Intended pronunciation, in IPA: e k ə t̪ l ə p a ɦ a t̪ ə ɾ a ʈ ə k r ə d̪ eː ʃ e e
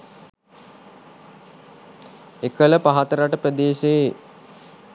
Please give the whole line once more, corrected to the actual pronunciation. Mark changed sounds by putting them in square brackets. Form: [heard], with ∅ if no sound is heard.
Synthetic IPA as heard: e k ə [∅] l ə p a ɦ a t̪ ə ɾ a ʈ ə [p] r ə d̪ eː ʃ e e